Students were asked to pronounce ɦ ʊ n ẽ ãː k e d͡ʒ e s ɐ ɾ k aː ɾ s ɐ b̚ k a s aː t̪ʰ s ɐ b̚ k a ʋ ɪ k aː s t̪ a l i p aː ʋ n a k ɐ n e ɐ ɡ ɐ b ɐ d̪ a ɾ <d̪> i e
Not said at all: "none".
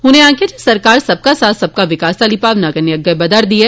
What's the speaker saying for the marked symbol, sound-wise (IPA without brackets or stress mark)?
d̪